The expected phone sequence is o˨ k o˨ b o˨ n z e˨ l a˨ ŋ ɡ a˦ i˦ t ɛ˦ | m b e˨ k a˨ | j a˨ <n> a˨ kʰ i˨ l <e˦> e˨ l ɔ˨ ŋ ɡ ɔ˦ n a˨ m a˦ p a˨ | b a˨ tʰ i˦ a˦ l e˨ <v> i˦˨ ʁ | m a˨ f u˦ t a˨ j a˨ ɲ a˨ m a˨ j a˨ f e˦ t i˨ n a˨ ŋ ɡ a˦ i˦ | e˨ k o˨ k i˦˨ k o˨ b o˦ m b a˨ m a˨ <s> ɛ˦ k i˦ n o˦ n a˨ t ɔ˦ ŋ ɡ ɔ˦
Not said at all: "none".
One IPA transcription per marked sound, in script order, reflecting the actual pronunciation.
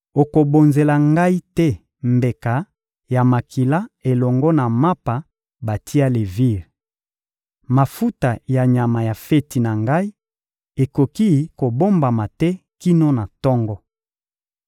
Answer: m, a˦, v, t

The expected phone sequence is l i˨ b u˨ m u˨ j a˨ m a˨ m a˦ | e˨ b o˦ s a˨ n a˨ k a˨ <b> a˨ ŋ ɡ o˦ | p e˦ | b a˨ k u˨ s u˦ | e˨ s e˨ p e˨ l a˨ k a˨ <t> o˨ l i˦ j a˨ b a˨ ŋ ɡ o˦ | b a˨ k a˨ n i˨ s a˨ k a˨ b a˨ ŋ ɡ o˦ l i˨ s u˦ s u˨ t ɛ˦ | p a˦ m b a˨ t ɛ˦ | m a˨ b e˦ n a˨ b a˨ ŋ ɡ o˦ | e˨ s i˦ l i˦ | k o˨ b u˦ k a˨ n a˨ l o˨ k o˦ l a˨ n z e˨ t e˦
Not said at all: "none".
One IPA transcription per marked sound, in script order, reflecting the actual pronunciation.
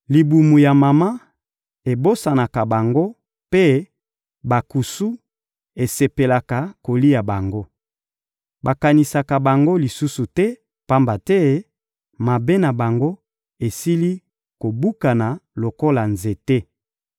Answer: b, k

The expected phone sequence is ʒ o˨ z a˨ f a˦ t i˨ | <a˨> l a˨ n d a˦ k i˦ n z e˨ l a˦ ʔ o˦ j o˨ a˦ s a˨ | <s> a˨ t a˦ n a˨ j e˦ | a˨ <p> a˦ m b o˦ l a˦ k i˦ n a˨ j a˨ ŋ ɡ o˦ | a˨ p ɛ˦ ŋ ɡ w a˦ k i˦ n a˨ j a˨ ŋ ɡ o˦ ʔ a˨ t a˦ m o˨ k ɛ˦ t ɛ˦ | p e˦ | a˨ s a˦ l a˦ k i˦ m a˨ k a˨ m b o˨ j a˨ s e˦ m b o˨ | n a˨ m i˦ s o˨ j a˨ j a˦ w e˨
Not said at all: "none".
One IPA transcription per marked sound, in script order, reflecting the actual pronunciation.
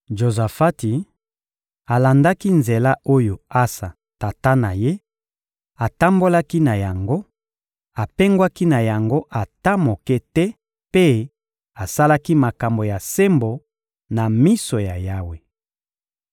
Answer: a˨, t, t

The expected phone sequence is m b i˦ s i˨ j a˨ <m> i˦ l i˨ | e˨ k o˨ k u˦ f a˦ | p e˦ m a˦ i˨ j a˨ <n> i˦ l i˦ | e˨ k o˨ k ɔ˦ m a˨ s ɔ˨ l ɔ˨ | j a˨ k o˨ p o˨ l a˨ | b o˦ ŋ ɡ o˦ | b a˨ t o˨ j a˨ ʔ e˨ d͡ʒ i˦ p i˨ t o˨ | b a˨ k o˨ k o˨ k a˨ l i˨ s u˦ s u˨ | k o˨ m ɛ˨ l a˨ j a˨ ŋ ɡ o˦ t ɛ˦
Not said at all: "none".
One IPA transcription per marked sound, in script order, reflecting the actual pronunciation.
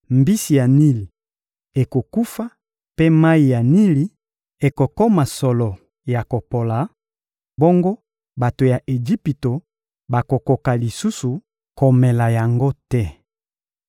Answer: n, n

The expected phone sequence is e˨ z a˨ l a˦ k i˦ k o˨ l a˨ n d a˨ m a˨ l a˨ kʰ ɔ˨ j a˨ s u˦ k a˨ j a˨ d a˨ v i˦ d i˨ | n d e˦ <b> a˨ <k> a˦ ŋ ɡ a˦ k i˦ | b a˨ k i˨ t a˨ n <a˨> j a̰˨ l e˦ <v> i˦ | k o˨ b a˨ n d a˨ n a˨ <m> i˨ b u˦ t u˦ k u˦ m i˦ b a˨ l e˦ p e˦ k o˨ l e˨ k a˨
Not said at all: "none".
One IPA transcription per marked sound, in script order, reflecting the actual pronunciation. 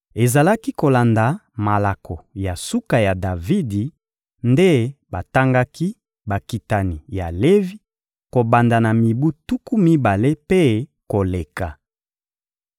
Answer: b, t, i˨, v, m

